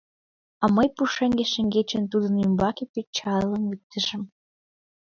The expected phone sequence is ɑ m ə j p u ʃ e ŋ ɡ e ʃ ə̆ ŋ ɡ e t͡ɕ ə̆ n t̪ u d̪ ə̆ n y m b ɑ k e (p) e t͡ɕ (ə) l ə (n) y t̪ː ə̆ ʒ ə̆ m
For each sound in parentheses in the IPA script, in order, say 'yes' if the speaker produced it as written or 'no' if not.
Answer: yes, no, no

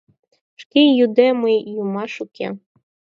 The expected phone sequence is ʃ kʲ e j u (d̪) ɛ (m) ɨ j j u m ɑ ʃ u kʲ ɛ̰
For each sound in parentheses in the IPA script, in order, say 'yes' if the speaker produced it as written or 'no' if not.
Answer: yes, yes

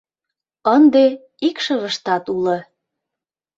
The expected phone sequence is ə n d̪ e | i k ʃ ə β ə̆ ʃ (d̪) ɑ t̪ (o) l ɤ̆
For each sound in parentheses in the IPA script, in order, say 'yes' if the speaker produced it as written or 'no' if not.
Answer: no, no

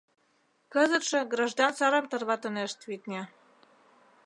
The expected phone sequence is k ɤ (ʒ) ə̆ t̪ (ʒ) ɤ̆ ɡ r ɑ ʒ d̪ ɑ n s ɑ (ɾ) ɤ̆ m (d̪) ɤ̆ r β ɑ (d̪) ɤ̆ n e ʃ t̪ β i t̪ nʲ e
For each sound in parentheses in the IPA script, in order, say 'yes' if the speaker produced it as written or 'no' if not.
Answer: no, no, yes, no, no

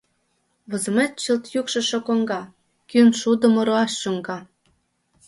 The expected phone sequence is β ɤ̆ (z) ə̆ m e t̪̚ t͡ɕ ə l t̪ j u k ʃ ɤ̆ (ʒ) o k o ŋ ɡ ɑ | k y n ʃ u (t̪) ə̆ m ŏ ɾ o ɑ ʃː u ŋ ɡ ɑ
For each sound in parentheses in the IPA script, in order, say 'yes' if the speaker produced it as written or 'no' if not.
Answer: yes, no, no

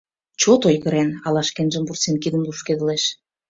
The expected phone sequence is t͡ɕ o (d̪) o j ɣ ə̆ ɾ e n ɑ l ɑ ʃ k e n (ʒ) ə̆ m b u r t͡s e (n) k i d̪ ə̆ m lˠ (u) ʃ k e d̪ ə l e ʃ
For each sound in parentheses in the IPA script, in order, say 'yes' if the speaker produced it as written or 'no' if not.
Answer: no, yes, yes, yes

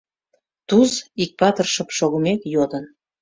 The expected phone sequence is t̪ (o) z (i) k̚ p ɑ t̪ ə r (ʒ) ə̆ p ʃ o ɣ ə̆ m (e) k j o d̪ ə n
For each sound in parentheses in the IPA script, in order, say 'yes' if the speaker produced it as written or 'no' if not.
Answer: no, yes, no, yes

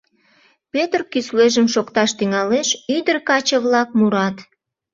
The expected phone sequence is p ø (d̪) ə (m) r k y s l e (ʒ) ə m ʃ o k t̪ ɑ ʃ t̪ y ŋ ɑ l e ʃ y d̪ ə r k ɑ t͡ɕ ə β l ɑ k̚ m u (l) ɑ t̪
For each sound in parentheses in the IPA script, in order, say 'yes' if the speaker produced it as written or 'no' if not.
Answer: no, no, yes, no

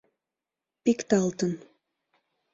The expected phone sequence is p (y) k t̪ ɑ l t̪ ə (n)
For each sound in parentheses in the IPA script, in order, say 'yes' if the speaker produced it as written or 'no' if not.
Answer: no, yes

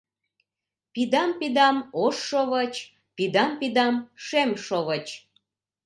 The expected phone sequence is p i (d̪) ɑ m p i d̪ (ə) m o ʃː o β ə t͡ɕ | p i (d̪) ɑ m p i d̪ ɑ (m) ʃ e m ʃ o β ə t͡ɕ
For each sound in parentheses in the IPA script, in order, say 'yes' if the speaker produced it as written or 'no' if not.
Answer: yes, no, yes, yes

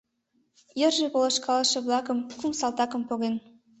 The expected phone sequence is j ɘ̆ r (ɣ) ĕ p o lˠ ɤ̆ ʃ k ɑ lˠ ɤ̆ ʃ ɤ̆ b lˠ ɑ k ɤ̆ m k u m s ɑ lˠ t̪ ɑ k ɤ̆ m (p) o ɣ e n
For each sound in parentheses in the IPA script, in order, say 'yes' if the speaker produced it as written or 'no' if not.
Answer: no, yes

